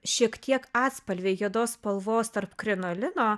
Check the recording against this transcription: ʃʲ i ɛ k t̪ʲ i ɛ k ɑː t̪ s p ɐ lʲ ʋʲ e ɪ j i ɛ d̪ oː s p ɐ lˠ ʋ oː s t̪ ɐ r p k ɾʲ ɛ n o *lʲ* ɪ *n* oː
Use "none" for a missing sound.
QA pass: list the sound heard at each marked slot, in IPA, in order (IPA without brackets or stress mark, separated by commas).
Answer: lʲ, n